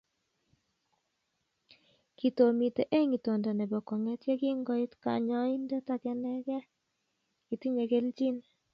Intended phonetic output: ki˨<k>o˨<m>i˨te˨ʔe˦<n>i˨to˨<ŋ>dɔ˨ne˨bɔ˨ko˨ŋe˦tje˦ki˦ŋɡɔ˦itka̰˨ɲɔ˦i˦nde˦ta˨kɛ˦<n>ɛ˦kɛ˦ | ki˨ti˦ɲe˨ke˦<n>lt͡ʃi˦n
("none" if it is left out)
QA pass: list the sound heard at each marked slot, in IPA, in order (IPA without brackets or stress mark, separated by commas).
t, m, ŋ, n, n, none